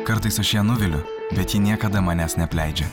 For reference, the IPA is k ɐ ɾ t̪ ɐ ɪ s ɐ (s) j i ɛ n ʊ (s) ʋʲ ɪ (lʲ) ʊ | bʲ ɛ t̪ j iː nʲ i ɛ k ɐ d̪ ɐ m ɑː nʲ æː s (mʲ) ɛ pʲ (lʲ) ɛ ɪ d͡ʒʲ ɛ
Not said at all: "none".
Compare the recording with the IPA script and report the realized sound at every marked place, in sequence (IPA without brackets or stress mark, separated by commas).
ʃ, none, lʲ, nʲ, lʲ